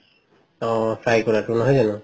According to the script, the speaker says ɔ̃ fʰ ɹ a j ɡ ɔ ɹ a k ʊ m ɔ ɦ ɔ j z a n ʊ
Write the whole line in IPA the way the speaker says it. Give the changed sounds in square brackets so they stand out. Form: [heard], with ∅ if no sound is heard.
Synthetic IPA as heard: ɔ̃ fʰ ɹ a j [k] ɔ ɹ a [t] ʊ [n] ɔ ɦ ɔ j z a n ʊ